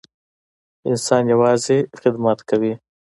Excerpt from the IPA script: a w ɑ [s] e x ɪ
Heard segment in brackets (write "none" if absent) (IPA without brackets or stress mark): z